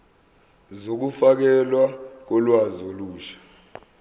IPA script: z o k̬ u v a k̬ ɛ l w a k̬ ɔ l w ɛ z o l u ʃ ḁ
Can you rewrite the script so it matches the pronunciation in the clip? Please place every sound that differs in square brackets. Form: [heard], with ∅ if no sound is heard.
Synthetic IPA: z o k̬ u [f] a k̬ ɛ l w a k̬ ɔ l w [a] z o l [uː] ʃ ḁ